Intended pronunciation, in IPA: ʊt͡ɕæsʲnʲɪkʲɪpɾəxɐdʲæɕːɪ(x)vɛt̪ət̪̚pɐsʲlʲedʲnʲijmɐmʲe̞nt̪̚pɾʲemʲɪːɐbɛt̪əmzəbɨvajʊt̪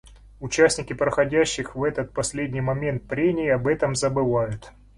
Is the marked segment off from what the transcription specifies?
no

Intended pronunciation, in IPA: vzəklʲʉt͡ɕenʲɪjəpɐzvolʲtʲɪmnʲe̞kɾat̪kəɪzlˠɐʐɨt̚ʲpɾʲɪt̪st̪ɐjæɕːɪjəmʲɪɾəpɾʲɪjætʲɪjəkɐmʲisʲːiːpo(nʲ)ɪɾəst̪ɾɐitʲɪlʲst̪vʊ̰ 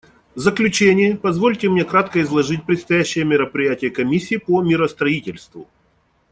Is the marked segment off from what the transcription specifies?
yes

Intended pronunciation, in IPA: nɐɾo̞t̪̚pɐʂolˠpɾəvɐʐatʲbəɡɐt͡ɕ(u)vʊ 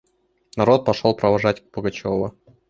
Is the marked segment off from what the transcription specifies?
yes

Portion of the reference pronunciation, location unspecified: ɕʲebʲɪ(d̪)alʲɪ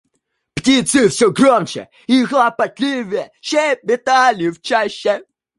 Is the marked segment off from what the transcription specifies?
yes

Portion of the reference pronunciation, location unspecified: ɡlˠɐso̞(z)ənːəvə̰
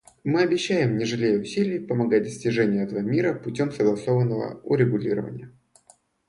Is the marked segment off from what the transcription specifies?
yes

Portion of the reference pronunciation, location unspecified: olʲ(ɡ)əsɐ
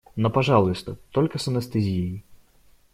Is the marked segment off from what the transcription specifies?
yes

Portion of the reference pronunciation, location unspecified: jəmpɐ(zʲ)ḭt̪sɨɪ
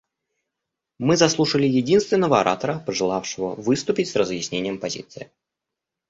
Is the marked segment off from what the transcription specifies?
no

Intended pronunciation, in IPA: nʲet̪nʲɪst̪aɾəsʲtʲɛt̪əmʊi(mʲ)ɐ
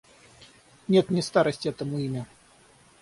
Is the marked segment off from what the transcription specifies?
no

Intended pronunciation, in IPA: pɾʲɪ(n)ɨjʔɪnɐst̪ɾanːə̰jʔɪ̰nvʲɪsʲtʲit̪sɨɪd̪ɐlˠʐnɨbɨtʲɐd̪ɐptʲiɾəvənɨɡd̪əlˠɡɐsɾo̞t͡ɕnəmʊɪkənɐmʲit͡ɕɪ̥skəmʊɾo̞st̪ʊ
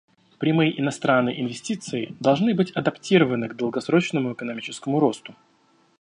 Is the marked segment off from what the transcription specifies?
yes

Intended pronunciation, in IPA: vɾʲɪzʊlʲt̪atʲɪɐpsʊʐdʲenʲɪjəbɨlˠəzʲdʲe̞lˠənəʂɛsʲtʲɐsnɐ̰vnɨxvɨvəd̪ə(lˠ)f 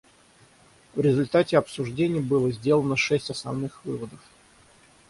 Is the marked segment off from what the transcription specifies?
yes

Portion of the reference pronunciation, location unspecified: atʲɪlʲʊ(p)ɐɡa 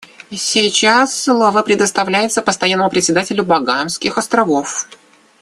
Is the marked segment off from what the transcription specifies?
yes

